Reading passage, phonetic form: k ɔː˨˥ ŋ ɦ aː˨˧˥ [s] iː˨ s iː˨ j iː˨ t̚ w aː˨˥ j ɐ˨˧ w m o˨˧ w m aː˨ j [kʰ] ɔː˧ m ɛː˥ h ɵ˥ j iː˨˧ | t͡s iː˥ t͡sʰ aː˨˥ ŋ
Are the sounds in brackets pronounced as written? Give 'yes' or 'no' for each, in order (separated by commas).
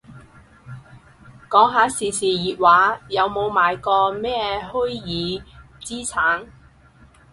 yes, no